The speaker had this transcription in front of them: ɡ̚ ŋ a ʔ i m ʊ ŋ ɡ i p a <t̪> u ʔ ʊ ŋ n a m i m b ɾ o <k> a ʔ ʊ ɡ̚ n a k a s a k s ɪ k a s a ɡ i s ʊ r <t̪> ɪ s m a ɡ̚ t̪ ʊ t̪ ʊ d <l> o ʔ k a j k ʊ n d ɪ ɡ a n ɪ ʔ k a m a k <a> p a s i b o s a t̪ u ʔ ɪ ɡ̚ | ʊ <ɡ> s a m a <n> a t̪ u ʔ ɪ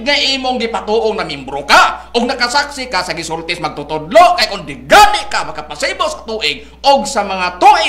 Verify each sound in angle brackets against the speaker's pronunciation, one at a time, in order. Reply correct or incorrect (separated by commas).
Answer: correct, correct, correct, correct, correct, correct, incorrect